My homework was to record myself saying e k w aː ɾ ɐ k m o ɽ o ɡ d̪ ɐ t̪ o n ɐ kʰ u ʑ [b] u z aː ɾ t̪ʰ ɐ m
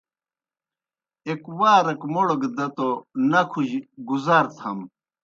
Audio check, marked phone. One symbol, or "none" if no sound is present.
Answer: ɡ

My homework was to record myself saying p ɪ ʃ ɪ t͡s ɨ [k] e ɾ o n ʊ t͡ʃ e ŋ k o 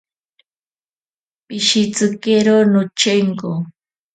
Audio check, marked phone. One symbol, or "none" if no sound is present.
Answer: k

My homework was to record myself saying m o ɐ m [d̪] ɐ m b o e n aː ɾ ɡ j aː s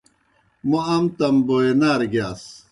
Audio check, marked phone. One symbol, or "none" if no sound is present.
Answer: t̪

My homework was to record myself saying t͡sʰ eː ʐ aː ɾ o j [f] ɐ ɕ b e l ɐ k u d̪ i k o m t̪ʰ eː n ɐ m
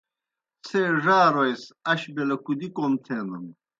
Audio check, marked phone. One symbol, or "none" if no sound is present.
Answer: s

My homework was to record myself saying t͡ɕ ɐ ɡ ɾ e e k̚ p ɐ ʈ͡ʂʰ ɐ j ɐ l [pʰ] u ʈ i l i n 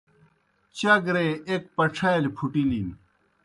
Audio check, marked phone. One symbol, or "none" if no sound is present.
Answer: pʰ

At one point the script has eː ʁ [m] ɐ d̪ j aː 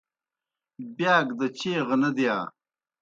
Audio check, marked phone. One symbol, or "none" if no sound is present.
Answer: n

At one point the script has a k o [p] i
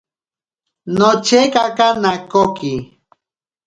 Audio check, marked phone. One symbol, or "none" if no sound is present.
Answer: k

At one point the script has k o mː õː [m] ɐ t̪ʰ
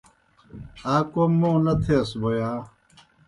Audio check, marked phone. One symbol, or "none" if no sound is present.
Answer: n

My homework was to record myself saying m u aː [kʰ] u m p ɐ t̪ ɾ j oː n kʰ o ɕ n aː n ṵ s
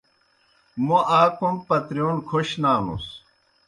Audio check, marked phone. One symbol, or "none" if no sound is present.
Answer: k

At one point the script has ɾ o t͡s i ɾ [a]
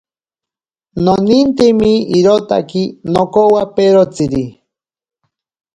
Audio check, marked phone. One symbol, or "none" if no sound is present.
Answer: i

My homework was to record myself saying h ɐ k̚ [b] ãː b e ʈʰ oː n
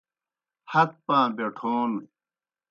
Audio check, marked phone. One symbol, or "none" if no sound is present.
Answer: p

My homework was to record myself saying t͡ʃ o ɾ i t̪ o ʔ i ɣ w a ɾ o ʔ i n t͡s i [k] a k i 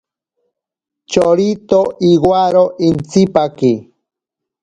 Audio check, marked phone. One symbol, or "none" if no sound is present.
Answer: p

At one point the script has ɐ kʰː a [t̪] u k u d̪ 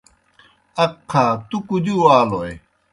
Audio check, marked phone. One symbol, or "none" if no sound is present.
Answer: t̪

